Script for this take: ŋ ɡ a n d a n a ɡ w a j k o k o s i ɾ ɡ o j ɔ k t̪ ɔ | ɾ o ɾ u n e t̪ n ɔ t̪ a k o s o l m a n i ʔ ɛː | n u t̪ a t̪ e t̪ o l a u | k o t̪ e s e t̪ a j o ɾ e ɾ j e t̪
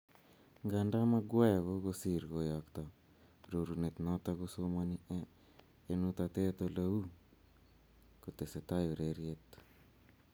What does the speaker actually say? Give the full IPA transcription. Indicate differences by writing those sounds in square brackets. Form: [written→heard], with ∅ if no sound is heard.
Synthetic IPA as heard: ŋ ɡ a n d a [n→m] a ɡ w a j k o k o s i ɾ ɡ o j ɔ k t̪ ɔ | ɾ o ɾ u n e t̪ n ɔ t̪ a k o s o [l→∅] m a n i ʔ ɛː | n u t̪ a t̪ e t̪ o l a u | k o t̪ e s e t̪ a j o ɾ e ɾ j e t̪